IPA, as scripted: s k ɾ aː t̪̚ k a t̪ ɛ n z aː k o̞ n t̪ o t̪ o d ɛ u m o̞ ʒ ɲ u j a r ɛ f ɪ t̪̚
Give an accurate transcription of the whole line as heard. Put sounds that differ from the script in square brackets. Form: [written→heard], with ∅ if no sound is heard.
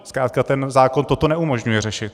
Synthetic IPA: s k ɾ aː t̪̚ k a t̪ ɛ n z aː k o̞ n t̪ o t̪ o [d→n] ɛ u m o̞ ʒ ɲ u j [a→ɛ] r ɛ [f→ʃ] ɪ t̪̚